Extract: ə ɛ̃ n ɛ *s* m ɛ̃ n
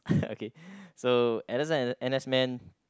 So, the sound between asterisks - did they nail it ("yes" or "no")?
yes